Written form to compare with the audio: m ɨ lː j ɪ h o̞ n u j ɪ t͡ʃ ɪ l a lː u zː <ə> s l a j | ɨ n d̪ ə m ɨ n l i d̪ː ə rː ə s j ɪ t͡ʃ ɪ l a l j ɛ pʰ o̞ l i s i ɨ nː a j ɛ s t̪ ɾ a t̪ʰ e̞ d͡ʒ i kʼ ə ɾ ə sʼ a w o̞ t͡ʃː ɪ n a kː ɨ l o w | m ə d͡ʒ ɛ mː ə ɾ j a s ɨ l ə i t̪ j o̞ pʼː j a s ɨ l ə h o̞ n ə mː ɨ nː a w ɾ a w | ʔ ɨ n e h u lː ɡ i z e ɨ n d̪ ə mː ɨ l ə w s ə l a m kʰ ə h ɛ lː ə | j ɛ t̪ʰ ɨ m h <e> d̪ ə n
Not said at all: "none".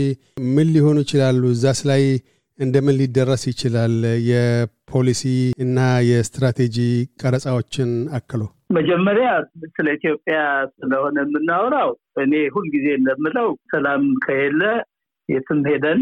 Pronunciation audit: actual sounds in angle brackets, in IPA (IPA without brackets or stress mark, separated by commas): a, e